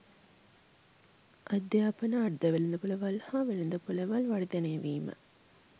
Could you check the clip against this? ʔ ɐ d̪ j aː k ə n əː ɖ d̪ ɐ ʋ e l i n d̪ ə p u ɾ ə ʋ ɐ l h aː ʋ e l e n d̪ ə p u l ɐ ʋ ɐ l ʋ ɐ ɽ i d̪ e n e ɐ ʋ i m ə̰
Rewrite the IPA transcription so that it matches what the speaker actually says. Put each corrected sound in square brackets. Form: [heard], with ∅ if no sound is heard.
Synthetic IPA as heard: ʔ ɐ d̪ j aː [p] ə n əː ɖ d̪ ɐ ʋ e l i n d̪ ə p u [l] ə ʋ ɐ l h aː ʋ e l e n d̪ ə p u l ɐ ʋ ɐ l ʋ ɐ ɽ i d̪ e n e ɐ ʋ [iː] m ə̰